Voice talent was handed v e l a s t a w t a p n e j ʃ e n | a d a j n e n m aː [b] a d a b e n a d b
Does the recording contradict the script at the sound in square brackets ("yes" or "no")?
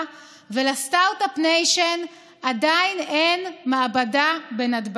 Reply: no